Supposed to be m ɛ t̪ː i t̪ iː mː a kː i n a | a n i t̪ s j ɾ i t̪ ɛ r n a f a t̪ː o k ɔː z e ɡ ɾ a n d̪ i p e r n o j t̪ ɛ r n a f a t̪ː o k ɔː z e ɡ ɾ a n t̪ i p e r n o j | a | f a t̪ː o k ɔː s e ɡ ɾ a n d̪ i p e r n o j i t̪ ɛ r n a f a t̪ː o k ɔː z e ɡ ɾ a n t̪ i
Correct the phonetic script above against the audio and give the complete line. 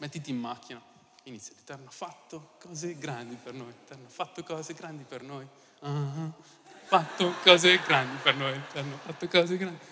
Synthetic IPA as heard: m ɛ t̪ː i t̪ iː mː a kː i n a | i n i t̪ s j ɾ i t̪ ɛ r n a f a t̪ː o k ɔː z e ɡ ɾ a n d̪ i p e r n o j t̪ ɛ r n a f a t̪ː o k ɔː z e ɡ ɾ a n d̪ i p e r n o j | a | f a t̪ː o k ɔː z e ɡ ɾ a n d̪ i p e r n o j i t̪ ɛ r n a f a t̪ː o k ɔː z e ɡ ɾ a n d̪ i